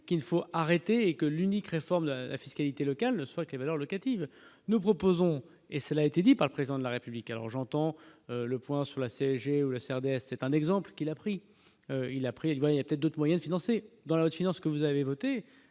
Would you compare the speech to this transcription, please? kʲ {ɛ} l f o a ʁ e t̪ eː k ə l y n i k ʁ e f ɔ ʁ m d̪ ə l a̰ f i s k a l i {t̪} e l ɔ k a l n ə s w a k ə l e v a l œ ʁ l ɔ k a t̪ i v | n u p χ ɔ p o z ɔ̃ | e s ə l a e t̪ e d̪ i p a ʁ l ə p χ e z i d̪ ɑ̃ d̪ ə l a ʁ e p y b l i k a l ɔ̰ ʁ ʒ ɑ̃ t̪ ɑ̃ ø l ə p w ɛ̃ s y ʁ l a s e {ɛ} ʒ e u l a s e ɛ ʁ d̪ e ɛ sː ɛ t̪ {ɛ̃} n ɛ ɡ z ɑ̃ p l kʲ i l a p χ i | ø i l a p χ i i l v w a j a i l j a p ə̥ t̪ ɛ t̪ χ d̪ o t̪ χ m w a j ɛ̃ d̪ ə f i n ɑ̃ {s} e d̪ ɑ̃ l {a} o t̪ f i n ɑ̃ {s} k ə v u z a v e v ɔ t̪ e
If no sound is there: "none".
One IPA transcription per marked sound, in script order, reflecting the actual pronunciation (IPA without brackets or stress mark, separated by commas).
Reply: i, t̪, ɛ, ɛ̃, s, a, s